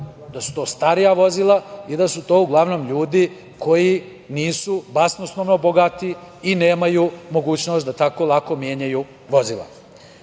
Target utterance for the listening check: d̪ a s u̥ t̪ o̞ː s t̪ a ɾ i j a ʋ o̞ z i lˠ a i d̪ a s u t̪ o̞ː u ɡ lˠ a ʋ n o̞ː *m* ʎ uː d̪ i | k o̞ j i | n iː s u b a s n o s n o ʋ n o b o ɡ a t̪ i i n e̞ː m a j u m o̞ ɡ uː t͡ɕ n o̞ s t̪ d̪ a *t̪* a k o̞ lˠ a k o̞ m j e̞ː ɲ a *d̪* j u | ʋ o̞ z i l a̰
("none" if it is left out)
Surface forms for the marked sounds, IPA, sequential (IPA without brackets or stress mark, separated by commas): m, t̪, none